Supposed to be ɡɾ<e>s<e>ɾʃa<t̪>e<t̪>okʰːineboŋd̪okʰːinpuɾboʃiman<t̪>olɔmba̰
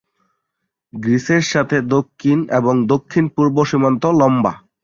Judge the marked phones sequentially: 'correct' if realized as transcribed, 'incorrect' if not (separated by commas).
incorrect, correct, incorrect, incorrect, correct